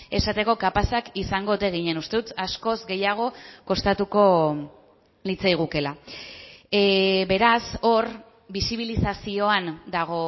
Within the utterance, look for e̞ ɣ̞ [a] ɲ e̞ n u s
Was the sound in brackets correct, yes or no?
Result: no